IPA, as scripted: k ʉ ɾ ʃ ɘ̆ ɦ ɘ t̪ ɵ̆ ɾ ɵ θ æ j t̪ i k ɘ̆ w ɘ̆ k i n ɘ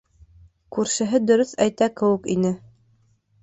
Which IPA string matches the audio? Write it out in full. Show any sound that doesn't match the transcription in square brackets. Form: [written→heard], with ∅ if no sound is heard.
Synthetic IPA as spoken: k ʉ ɾ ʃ ɘ̆ ɦ ɘ [t̪→d̪] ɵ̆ ɾ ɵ θ æ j t̪ [i→æ] k ɘ̆ w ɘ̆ k i n ɘ